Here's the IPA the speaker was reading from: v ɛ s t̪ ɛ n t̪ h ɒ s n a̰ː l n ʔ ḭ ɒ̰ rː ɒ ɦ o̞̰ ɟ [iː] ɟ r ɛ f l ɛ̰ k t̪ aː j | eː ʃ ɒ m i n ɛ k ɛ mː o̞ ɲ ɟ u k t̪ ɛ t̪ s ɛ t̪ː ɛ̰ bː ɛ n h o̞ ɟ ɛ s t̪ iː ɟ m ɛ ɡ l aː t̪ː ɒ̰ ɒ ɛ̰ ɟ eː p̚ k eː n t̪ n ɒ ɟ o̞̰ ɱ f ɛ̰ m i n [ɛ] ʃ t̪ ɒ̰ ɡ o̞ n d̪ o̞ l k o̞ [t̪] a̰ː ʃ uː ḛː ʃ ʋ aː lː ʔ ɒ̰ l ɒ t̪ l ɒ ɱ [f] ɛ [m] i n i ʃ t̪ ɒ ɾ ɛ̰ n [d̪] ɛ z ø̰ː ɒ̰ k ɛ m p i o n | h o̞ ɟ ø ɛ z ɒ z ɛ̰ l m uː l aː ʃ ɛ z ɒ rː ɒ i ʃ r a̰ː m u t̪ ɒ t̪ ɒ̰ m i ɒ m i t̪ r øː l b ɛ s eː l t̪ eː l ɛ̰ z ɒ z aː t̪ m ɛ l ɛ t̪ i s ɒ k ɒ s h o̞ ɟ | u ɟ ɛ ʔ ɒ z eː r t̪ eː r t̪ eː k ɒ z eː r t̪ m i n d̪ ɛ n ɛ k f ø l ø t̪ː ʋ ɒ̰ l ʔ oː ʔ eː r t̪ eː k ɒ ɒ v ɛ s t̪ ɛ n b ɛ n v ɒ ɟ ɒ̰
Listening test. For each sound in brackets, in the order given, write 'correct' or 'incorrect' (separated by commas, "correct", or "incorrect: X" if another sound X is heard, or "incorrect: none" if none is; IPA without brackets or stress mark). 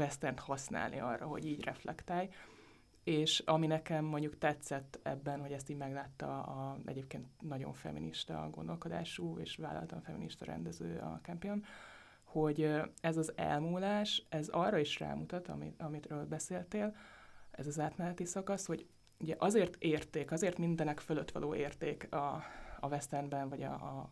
correct, incorrect: i, incorrect: d̪, correct, correct, correct